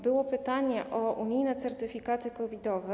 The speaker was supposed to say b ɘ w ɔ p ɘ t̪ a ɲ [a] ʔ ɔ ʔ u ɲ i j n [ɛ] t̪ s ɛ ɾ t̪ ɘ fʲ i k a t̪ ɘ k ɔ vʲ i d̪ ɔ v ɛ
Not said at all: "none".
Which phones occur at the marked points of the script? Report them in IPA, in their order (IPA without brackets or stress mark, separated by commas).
ɛ, ɛ